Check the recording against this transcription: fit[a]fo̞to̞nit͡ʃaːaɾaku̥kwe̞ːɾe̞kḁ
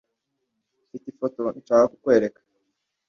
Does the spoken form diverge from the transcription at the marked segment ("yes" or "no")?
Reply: yes